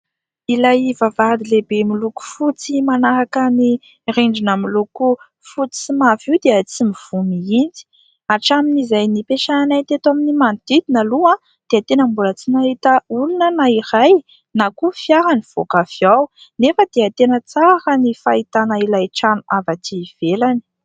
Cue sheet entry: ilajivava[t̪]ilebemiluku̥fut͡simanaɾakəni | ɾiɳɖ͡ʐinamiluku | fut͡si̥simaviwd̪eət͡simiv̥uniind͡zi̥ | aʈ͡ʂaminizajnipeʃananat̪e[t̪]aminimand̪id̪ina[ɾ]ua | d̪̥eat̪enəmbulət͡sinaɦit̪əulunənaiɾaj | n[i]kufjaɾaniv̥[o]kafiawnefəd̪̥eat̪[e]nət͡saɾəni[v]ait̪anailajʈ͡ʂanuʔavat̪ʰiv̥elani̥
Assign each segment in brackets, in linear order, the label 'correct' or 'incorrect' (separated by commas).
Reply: incorrect, correct, incorrect, incorrect, correct, correct, incorrect